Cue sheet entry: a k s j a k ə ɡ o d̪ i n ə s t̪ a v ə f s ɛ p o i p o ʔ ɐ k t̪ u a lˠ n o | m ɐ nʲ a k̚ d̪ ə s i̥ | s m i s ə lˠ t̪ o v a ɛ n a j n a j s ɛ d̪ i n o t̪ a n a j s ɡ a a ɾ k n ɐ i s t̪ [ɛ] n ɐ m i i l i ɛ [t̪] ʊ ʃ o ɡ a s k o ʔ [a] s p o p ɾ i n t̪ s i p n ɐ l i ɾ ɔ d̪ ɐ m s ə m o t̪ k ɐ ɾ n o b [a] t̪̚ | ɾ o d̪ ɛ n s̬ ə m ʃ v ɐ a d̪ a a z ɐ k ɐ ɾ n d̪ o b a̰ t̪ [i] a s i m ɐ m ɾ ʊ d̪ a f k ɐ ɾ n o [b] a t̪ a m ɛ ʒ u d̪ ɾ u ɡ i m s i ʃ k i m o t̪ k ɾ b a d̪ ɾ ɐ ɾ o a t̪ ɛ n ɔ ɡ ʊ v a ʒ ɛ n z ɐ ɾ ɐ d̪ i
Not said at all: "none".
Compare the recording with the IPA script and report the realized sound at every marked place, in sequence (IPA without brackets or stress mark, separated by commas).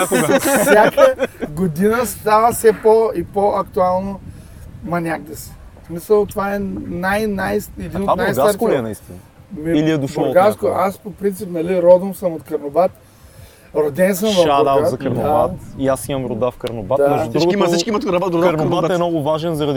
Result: i, d̪, a, a, i, b